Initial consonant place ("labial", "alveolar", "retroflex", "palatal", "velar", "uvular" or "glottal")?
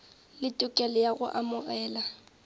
alveolar